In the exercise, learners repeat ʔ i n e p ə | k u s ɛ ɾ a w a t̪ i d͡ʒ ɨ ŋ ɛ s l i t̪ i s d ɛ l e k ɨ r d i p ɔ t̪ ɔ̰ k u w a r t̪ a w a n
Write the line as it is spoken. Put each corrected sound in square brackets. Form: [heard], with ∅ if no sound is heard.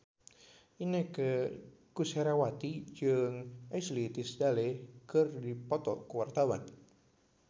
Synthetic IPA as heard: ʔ i n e [k] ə | k u s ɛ ɾ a w a t̪ i d͡ʒ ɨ ŋ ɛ s l i t̪ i s d [a] l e k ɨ r d i p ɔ t̪ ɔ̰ k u w a r t̪ a w a n

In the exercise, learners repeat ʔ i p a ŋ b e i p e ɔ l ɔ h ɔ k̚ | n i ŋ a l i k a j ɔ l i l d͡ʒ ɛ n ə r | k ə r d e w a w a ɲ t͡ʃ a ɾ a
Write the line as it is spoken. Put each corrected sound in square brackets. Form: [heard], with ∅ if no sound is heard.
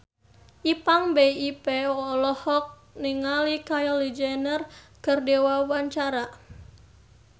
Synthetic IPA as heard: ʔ i p a ŋ b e i p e ɔ l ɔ h ɔ k̚ | n i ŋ a l i k a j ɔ l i [∅] d͡ʒ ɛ n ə r | k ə r d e w a w a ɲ t͡ʃ a ɾ a

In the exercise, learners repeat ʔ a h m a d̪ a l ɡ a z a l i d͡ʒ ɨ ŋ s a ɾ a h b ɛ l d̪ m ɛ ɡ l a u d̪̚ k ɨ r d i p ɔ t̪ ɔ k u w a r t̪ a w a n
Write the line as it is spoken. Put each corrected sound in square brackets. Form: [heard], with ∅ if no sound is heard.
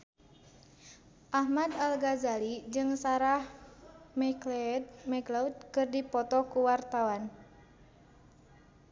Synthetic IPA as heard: ʔ a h m a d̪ a l ɡ a z a l i d͡ʒ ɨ ŋ s a ɾ a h [m] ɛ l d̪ m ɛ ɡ l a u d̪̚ k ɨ r d i p ɔ t̪ ɔ k u w a r t̪ a w a n

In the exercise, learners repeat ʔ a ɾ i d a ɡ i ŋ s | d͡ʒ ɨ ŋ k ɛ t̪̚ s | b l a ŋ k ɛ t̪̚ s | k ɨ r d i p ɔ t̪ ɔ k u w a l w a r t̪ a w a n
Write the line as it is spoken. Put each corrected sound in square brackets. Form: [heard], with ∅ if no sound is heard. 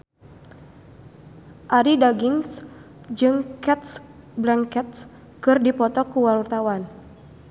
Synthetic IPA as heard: ʔ a ɾ i d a ɡ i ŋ s | d͡ʒ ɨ ŋ k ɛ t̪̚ s | b l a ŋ k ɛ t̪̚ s | k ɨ r d i p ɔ t̪ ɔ k u w a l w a r t̪ a w a n

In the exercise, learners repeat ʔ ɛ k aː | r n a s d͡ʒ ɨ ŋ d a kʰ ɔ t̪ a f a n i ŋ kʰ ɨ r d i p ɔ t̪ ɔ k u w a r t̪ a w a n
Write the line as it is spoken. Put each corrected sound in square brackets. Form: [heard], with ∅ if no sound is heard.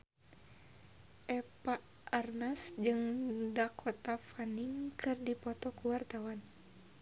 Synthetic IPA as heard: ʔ ɛ [p] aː | r n a s d͡ʒ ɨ ŋ d a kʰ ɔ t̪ a f a n i ŋ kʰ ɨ r d i p ɔ t̪ ɔ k u w a r t̪ a w a n

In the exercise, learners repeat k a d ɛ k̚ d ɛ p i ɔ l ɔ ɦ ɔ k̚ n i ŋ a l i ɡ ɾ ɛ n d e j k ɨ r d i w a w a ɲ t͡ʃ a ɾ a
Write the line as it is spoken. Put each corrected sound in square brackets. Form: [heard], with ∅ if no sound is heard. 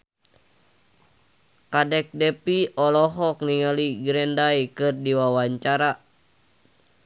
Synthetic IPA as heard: k a d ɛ k̚ d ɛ p i ɔ l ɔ ɦ ɔ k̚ n i ŋ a l i ɡ ɾ ɛ n d [a] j k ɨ r d i w a w a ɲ t͡ʃ a ɾ a

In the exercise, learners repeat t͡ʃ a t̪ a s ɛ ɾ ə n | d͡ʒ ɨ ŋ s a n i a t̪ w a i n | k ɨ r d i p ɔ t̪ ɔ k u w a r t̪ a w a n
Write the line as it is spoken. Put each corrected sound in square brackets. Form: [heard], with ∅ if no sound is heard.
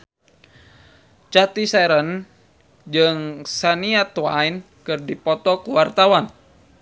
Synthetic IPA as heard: t͡ʃ a t̪ [i] s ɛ ɾ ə n | d͡ʒ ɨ ŋ s a n i a t̪ w a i n | k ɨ r d i p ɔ t̪ ɔ k u w a r t̪ a w a n

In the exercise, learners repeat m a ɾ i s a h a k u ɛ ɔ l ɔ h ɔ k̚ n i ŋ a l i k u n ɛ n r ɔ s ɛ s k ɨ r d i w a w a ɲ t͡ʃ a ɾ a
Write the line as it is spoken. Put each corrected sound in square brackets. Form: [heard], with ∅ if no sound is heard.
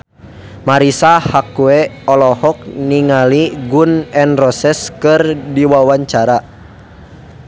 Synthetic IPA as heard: m a ɾ i s a h a k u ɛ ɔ l ɔ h ɔ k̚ n i ŋ a l i [ɡ] u n ɛ n r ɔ s ɛ s k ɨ r d i w a w a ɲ t͡ʃ a ɾ a

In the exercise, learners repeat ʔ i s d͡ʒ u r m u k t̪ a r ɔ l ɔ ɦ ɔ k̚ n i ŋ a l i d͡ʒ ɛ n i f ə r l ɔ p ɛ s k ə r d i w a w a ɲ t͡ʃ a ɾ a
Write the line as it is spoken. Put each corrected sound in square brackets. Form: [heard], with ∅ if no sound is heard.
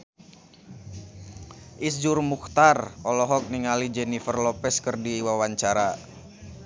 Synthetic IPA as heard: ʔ i s d͡ʒ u r m u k t̪ a r ɔ l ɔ ɦ ɔ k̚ n i ŋ a l i d͡ʒ ɛ n i f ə r l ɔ p ɛ s k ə r d i w a w a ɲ t͡ʃ a ɾ a

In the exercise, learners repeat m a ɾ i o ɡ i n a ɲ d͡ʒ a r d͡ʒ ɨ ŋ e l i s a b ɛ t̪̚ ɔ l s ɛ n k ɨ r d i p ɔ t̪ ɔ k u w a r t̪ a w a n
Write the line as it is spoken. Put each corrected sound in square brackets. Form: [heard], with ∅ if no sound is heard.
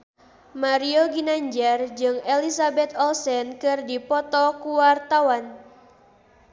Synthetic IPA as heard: m a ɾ i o ɡ i n a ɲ d͡ʒ a r d͡ʒ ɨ ŋ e l i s a b ɛ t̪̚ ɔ l s ɛ n k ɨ r d i p ɔ t̪ ɔ k u w a r t̪ a w a n

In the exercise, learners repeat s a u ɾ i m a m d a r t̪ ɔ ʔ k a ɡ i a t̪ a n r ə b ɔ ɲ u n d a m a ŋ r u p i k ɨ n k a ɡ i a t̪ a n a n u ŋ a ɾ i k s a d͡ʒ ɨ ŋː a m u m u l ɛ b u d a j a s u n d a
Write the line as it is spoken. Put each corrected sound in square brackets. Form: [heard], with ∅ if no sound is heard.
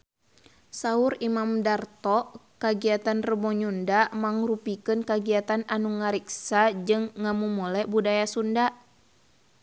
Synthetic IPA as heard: s a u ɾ i m a m d a r t̪ ɔ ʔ k a ɡ i a t̪ a n r ə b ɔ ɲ u n d a m a ŋ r u p i k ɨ n k a ɡ i a t̪ a n a n u ŋ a ɾ i k s a d͡ʒ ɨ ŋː a m u m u l ɛ b u d a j a s u n d a

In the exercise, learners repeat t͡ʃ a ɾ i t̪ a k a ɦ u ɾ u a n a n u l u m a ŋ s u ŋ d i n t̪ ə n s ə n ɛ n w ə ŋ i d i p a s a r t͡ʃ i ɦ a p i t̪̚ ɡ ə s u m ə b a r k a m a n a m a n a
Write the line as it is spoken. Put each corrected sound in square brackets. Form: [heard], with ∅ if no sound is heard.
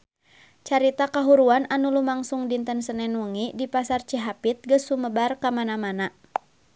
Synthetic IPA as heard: t͡ʃ a ɾ i t̪ a k a ɦ u ɾ u a n a n u l u m a ŋ s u ŋ d i n t̪ ə n s ə n ɛ n w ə ŋ i d i p a s a r t͡ʃ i ɦ a p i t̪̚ ɡ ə s u m ə b a r k a m a n a m a n a

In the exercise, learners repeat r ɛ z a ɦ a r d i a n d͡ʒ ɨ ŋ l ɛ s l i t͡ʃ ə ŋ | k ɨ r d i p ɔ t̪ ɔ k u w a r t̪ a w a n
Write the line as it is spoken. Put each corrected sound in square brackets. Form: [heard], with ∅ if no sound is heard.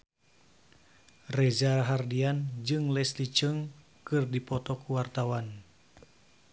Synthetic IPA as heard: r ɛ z a ɦ a r d i a n d͡ʒ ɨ ŋ l ɛ s l i t͡ʃ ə ŋ | k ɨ r d i p ɔ t̪ ɔ k u w a r t̪ a w a n

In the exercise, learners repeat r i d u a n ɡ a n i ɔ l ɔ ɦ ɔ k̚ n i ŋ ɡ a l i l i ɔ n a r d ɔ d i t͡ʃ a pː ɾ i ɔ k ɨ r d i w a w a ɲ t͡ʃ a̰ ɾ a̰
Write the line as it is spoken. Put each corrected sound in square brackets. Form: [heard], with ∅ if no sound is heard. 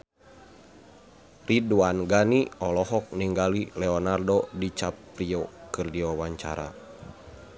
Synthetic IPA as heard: r i d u a n ɡ a n i ɔ l ɔ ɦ ɔ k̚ n i ŋ ɡ a l i l [ɛ] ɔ n a r d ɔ d i t͡ʃ a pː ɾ i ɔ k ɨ r d i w a w a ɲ t͡ʃ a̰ ɾ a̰

